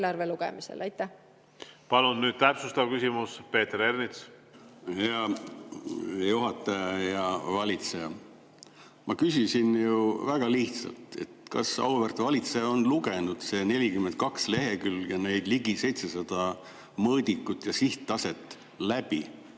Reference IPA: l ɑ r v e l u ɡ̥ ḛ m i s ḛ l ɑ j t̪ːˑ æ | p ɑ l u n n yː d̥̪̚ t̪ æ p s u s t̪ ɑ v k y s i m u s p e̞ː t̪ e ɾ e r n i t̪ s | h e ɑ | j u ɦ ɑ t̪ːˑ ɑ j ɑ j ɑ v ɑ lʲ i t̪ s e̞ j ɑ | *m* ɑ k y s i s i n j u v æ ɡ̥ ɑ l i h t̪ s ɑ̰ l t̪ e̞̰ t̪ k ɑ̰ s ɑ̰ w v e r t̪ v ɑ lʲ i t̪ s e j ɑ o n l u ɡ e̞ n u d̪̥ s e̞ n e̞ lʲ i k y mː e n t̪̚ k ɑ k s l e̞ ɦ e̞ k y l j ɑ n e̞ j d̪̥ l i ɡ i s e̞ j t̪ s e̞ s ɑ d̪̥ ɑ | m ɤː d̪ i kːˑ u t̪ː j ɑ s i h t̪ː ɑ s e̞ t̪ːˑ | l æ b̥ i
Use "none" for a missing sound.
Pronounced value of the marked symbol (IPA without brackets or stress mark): m